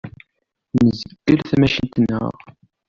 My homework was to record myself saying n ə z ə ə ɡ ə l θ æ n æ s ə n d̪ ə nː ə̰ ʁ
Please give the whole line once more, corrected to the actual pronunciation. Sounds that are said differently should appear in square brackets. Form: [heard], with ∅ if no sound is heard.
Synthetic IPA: n ə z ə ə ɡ ə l θ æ [m] æ [ʃ] ə n [t̪] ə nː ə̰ ʁ

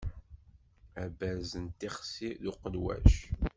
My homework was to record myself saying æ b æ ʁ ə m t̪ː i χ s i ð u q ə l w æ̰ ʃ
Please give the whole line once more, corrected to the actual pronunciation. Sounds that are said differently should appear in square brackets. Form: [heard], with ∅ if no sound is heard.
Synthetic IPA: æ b æ [z] ə [n] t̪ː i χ s i ð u q ə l w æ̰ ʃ

